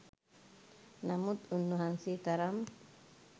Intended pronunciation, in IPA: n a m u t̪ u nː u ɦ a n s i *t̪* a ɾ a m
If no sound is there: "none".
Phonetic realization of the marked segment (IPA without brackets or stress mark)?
t̪